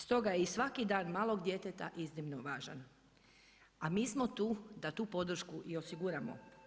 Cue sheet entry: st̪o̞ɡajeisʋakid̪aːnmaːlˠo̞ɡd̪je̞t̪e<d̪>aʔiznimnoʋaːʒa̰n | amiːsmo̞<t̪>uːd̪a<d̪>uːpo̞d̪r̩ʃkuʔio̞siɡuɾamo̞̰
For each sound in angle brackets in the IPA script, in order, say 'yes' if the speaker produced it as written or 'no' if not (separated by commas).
no, yes, no